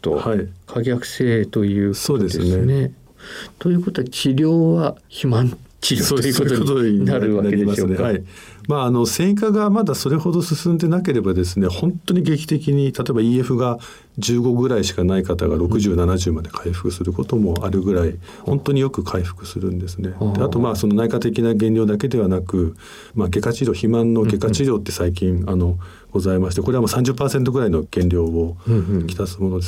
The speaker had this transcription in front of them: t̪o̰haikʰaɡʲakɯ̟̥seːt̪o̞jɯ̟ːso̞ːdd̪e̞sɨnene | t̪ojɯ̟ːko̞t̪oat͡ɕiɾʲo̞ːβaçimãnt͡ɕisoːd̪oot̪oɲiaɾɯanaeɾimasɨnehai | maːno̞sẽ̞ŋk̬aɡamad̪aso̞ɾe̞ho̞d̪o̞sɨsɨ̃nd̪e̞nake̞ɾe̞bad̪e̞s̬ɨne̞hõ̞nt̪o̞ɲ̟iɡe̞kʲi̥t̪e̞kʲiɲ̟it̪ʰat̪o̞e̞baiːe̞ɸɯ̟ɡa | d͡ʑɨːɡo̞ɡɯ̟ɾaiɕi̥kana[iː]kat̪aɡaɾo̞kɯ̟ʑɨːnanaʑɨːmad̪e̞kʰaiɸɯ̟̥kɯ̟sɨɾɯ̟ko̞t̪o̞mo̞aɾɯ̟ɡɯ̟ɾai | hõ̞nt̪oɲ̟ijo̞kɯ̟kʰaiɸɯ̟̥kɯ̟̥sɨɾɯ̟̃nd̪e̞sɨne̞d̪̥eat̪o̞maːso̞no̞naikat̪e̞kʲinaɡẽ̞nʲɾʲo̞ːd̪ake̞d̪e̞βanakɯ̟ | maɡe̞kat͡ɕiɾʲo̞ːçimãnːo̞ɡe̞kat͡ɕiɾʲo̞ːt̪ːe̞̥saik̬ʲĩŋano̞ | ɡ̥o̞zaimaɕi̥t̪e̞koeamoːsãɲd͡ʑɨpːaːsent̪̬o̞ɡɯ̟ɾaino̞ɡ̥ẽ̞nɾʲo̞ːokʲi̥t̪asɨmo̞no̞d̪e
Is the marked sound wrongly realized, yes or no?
yes